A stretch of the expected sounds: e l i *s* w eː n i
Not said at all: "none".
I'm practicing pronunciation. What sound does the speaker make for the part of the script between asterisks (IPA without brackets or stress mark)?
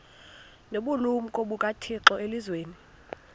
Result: z